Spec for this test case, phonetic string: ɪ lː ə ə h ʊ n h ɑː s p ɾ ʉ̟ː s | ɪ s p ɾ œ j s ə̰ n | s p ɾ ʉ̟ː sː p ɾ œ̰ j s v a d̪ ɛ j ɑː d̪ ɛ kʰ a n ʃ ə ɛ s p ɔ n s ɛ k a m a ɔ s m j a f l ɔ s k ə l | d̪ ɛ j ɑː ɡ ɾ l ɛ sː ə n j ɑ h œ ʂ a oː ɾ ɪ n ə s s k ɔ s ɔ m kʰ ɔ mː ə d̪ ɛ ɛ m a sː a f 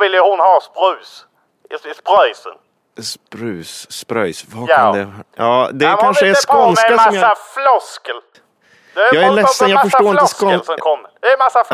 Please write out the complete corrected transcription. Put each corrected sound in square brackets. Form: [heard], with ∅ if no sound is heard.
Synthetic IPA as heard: ɪ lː ə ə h ʊ n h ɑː s p ɾ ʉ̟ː s | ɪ s p ɾ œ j s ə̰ n | s p ɾ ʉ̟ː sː p ɾ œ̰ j s v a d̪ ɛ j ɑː d̪ ɛ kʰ a n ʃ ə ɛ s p ɔ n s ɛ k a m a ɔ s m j a f l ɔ s k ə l | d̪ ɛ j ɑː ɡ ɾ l ɛ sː ə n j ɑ [f] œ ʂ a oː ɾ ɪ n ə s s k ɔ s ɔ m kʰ ɔ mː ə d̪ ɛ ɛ m a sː a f